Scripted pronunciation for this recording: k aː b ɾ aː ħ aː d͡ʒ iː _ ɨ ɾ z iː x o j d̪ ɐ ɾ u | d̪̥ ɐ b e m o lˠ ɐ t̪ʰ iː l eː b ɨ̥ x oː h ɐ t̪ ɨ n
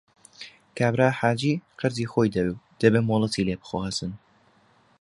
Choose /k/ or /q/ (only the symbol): q